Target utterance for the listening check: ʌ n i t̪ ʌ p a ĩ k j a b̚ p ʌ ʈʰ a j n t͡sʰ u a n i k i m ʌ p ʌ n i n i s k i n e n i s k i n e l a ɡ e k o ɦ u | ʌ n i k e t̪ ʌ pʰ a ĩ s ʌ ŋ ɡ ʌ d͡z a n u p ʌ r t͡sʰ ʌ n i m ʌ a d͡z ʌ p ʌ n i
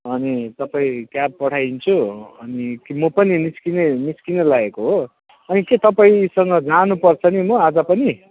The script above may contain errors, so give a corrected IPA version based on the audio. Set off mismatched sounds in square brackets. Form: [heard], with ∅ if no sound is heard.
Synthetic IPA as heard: ʌ n i t̪ ʌ p a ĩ k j a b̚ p ʌ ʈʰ a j n t͡sʰ u [ʌ] n i k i m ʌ p ʌ n i n i s k i n e n i s k i n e l a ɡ e k o ɦ [o] | ʌ n i k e t̪ ʌ [p] a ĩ s ʌ ŋ ɡ ʌ d͡z a n u p ʌ r t͡sʰ ʌ n i m ʌ a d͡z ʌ p ʌ n i